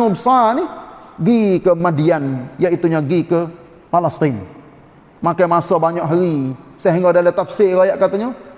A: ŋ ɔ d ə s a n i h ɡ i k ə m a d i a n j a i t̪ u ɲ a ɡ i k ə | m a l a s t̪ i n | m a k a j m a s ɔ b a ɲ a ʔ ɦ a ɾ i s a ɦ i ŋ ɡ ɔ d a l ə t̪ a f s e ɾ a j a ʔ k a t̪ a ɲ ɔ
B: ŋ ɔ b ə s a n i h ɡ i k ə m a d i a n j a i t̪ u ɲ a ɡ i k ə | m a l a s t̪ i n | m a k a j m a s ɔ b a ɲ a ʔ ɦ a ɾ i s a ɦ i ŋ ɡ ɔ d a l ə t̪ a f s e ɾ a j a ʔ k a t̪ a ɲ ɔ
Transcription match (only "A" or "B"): B